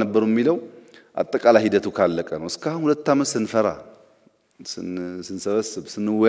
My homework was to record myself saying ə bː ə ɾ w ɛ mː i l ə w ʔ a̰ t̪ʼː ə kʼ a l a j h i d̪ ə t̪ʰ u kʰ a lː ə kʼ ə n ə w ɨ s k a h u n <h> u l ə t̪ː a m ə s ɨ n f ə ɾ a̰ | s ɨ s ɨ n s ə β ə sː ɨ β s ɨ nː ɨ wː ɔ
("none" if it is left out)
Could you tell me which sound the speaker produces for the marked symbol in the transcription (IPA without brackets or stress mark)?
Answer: h